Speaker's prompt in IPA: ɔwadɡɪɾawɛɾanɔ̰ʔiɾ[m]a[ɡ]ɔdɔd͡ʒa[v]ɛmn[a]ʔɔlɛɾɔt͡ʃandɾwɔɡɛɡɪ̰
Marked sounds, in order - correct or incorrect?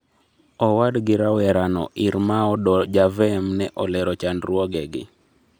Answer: correct, incorrect, correct, incorrect

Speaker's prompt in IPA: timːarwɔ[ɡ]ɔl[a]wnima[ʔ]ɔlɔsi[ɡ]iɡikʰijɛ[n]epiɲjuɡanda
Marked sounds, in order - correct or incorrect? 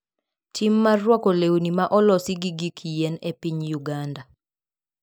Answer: incorrect, incorrect, correct, correct, correct

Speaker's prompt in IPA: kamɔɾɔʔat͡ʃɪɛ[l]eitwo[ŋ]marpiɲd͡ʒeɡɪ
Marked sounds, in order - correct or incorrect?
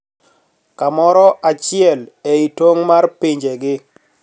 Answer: correct, correct

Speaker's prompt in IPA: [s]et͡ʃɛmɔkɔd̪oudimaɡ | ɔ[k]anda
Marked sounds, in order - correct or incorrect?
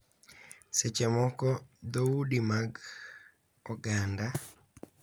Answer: correct, incorrect

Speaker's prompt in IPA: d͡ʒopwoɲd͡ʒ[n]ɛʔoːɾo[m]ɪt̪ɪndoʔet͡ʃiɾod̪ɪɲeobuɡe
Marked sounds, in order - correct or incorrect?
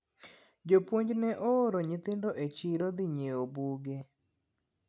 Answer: correct, incorrect

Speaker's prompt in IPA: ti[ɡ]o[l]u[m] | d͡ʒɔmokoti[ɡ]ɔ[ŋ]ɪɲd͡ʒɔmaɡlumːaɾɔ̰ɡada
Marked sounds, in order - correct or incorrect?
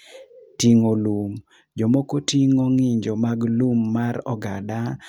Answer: incorrect, correct, correct, incorrect, correct

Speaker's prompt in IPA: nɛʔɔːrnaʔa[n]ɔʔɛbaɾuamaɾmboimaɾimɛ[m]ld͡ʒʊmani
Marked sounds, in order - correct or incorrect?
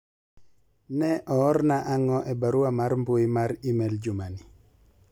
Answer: incorrect, incorrect

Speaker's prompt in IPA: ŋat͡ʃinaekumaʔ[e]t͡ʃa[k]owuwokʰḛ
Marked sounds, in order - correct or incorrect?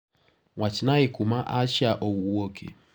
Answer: incorrect, incorrect

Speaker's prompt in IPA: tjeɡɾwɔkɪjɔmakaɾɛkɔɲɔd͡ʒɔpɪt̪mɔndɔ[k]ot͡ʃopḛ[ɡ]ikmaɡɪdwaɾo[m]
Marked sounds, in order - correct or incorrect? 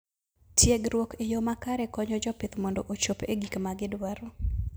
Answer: incorrect, correct, incorrect

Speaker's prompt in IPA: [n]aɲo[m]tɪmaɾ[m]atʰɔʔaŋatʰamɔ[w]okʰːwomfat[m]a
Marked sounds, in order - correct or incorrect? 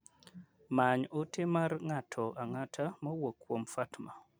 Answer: incorrect, incorrect, incorrect, correct, correct

